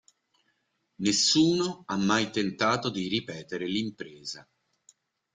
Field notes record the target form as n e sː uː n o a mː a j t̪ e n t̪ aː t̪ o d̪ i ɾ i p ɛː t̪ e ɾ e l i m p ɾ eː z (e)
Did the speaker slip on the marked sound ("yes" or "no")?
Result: yes